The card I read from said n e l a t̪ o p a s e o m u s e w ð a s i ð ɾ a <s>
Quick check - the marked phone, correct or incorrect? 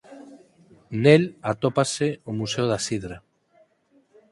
incorrect: none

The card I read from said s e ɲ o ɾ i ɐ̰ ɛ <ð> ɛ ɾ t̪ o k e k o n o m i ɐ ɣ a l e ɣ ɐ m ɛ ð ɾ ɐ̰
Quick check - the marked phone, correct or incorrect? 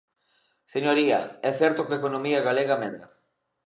incorrect: θ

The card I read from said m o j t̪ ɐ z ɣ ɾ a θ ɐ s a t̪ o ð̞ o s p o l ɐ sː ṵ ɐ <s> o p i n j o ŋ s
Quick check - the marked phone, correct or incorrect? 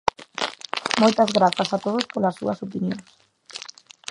correct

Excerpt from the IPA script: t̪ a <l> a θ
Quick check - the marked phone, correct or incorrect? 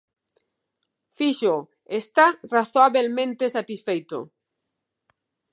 incorrect: r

